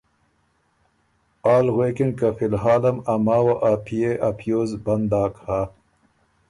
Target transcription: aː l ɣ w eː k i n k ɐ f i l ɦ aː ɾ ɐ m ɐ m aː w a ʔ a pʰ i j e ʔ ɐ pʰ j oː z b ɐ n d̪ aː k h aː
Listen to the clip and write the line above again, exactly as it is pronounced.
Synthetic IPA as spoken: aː l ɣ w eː k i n k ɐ f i l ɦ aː l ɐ m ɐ m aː w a ʔ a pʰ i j e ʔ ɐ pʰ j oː z b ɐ n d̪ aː k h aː